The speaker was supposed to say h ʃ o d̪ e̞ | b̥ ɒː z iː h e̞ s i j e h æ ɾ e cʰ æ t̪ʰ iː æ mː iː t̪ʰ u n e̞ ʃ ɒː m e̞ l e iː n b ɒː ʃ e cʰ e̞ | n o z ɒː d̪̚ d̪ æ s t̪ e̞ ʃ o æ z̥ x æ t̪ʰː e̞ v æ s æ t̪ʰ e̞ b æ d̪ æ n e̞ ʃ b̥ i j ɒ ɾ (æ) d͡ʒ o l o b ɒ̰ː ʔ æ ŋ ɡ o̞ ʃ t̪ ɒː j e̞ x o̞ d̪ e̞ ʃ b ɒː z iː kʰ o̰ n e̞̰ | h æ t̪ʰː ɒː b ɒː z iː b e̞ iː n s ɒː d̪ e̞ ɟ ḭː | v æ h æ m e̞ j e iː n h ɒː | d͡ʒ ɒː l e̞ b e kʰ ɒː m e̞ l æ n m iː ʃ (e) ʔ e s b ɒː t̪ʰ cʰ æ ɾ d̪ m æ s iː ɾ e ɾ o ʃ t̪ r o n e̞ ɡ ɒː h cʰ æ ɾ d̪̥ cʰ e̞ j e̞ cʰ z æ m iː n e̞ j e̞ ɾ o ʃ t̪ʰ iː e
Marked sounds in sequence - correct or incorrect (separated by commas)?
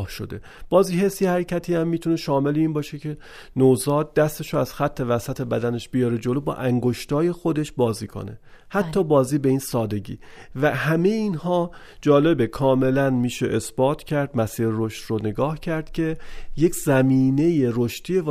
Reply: incorrect, correct